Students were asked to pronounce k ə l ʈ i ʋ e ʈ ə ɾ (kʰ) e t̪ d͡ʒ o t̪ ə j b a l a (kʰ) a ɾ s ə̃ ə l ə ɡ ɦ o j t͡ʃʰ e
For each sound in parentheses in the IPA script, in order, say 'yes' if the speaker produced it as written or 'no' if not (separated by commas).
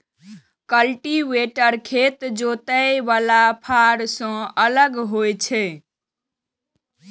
yes, no